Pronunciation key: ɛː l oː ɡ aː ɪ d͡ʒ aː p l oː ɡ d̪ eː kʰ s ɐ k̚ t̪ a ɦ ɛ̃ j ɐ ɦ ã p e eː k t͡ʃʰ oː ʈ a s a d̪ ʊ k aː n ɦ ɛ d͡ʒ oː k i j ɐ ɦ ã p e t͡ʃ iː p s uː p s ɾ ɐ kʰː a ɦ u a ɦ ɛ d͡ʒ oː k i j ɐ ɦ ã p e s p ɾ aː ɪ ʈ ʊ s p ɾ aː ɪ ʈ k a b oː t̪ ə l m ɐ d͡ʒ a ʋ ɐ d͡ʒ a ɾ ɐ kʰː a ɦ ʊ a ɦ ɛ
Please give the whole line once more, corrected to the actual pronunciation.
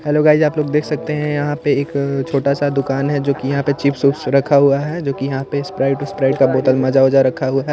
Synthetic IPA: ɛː l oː ɡ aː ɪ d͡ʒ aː p l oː ɡ d̪ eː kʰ s ɐ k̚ t̪ e ɦ ɛ̃ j ɐ ɦ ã p e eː k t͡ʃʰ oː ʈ a s a d̪ ʊ k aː n ɦ ɛ d͡ʒ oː k i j ɐ ɦ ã p e t͡ʃ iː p s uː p s ɾ ɐ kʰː a ɦ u a ɦ ɛ d͡ʒ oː k i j ɐ ɦ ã p e s p ɾ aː ɪ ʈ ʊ s p ɾ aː ɪ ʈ k a b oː t̪ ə l m ɐ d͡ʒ a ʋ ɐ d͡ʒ a ɾ ɐ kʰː a ɦ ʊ a ɦ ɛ

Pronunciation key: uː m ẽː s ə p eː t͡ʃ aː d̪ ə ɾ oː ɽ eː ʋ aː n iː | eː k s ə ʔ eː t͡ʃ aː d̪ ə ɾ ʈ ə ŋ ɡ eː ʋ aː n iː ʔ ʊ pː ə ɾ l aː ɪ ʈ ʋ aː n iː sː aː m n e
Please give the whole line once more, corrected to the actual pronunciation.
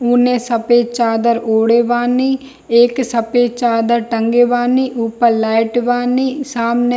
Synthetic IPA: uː n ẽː s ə p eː t͡ʃ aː d̪ ə ɾ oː ɽ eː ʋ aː n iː | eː k s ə p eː t͡ʃ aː d̪ ə ɾ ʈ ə ŋ ɡ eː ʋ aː n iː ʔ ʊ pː ə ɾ l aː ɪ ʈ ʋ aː n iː s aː m n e

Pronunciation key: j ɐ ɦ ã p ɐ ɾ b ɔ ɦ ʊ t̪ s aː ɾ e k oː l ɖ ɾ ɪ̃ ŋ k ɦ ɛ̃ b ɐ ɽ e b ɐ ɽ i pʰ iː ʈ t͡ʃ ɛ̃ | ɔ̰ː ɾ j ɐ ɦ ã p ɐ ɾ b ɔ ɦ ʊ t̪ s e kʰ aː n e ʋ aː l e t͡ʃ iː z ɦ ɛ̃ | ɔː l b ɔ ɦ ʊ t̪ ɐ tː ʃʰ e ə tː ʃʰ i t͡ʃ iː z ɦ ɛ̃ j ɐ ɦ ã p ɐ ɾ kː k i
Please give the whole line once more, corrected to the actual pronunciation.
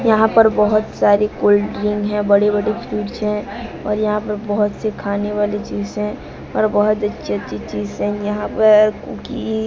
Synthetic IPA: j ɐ ɦ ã p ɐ ɾ b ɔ ɦ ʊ t̪ s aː ɾ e k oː l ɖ ɾ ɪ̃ ŋ ɡ ɦ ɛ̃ b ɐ ɽ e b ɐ ɽ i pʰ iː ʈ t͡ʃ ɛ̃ | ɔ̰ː ɾ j ɐ ɦ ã p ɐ ɾ b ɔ ɦ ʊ t̪ s e kʰ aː n e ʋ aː l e t͡ʃ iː z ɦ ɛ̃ | ɔː ɾ b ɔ ɦ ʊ t̪ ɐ tː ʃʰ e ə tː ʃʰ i t͡ʃ iː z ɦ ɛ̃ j ɐ ɦ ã p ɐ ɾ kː k i

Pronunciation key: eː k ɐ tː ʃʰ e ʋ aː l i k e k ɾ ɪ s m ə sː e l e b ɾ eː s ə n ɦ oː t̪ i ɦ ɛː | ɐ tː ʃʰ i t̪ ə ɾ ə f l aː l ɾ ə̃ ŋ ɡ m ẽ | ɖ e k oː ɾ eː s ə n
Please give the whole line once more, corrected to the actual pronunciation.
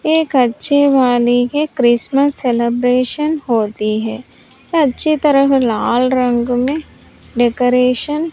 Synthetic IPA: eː k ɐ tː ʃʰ e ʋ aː l i k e k ɾ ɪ s m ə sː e l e b ɾ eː ʃ ə n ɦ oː t̪ i ɦ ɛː | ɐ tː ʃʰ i t̪ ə ɾ ə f l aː l ɾ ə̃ ŋ ɡ m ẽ | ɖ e k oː ɾ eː ʃ ə n

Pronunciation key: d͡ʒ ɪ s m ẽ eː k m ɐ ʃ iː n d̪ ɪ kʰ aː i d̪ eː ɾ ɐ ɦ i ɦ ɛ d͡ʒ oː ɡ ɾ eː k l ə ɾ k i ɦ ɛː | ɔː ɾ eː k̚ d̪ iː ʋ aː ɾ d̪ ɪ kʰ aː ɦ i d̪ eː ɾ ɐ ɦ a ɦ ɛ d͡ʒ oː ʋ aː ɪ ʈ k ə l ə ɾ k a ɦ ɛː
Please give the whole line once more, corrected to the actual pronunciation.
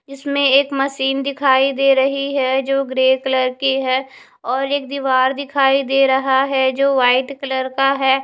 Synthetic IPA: d͡ʒ ɪ s m ẽ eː k m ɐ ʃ iː n d̪ ɪ kʰ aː i d̪ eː ɾ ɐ ɦ i ɦ ɛ d͡ʒ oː ɡ ɾ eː k l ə ɾ k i ɦ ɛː | ɔː ɾ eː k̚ d̪ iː ʋ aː ɾ d̪ ɪ kʰ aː i d̪ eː ɾ ɐ ɦ a ɦ ɛ d͡ʒ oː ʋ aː ɪ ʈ k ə l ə ɾ k a ɦ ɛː

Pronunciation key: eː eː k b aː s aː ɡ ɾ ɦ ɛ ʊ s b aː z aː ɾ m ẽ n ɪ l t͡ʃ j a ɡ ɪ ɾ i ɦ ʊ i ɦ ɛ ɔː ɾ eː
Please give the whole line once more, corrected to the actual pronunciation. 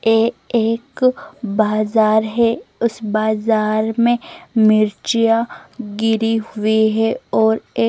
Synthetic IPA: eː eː k b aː z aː ɾ ɦ ɛ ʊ s b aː z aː ɾ m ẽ m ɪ ɾ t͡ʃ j a ɡ ɪ ɾ i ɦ ʊ i ɦ ɛ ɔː ɾ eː

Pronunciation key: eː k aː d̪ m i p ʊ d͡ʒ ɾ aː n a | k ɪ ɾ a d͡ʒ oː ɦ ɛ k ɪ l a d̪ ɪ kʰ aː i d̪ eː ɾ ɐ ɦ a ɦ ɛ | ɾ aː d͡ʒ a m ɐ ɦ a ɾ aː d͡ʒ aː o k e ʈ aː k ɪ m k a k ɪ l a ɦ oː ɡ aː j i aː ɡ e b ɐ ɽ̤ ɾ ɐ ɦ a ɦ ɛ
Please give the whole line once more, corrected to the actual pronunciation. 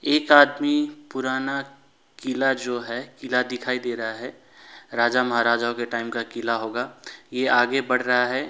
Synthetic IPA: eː k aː d̪ m i p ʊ ɾ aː n a | k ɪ l a d͡ʒ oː ɦ ɛ k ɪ l a d̪ ɪ kʰ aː i d̪ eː ɾ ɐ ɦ a ɦ ɛ | ɾ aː d͡ʒ a m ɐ ɦ a ɾ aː d͡ʒ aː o k e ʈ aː ɪ m k a k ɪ l a ɦ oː ɡ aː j e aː ɡ e b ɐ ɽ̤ ɾ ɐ ɦ a ɦ ɛ

